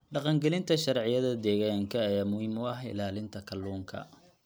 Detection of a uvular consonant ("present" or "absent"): present